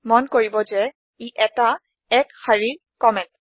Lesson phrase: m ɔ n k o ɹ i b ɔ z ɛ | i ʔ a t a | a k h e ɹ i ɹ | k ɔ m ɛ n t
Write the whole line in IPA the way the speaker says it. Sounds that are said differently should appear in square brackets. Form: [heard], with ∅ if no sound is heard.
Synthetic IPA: m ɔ n k o ɹ i b ɔ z ɛ | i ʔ [ɛ] t a | [ɛ] k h [a] ɹ i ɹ | k ɔ m ɛ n t